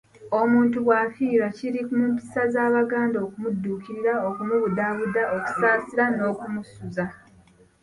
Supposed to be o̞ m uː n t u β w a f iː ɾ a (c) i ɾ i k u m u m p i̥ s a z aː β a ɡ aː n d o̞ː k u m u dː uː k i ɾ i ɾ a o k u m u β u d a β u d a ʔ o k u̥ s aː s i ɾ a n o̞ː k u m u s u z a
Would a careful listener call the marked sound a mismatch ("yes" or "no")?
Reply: no